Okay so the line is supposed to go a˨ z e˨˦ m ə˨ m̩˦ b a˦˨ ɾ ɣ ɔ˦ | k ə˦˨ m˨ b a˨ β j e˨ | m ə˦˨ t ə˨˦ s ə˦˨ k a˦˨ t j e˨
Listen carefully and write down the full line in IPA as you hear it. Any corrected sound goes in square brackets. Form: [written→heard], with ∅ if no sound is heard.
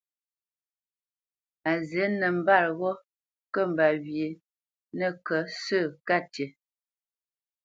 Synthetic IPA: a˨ z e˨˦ [m→n] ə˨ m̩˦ b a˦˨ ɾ ɣ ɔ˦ | k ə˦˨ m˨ b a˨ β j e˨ | [m→n] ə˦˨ [t→k] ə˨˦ s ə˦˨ k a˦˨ t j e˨